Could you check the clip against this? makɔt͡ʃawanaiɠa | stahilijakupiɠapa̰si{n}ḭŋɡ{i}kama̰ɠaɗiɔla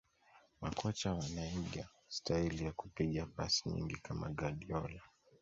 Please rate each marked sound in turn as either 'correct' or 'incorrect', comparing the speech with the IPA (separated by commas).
incorrect, correct